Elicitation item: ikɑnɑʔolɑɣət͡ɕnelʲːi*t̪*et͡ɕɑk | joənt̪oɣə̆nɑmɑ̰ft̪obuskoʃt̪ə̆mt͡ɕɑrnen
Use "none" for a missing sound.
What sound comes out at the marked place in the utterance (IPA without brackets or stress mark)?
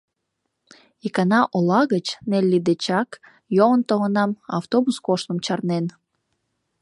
d̪